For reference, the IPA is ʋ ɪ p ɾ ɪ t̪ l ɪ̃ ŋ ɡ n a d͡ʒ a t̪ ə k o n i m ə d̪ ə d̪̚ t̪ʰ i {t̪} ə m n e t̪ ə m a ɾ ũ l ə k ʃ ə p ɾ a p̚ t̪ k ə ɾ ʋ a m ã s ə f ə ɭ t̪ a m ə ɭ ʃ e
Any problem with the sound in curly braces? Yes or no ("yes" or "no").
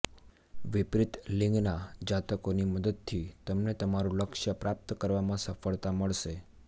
no